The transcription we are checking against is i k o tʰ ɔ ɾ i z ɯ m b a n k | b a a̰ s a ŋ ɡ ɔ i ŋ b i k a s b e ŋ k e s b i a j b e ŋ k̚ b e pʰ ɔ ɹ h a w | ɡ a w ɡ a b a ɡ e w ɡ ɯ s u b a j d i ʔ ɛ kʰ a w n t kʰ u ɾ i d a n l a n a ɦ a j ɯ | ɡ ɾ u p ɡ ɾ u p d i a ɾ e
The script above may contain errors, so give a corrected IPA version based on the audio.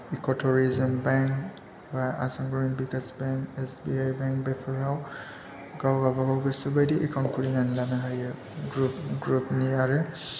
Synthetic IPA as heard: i k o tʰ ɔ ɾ i z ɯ m b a ŋ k | b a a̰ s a ŋ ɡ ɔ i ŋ b i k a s b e ŋ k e s b i a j b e ŋ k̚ b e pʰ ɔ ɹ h a w | ɡ a w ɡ a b a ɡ a w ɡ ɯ s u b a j d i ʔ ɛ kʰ a w n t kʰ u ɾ i n a n l a n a ɦ a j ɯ | ɡ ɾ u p ɡ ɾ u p n i a ɾ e